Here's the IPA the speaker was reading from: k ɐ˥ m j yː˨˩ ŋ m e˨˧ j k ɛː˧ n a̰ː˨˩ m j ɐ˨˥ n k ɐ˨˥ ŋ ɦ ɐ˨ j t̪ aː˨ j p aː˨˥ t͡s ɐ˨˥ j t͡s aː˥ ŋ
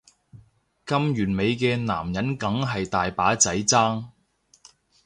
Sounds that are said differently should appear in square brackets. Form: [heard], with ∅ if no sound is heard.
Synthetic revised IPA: k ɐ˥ m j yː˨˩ [n] m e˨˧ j k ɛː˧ n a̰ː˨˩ m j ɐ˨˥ n k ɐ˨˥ ŋ ɦ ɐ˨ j t̪ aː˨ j p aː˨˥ t͡s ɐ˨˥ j t͡s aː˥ ŋ